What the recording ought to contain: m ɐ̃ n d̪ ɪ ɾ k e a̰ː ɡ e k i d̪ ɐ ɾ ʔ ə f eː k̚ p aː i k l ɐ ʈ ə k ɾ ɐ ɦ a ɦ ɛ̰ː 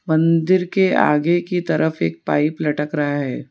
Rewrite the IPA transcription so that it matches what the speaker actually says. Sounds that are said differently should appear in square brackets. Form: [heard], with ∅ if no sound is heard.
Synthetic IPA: m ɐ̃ n d̪ ɪ ɾ k e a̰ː ɡ e k i [t̪] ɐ ɾ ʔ ə f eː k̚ p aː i [p] l ɐ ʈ ə k ɾ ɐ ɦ a ɦ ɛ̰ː